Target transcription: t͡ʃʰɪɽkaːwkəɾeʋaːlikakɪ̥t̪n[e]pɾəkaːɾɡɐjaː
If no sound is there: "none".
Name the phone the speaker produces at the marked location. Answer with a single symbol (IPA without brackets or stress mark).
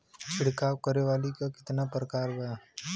a